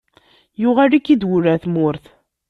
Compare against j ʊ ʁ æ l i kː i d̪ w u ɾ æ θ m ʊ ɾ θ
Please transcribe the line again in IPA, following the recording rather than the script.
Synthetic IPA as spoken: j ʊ ʁ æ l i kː i d̪ w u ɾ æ θ m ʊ ɾ θ